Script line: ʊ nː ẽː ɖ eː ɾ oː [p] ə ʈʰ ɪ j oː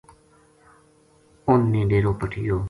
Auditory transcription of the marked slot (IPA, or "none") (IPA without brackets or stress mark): p